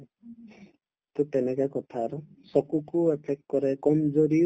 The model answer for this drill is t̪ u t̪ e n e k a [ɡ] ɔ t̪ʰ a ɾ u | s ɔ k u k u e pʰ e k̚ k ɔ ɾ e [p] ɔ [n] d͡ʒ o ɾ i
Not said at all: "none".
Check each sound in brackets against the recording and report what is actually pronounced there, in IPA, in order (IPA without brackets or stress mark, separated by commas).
k, k, m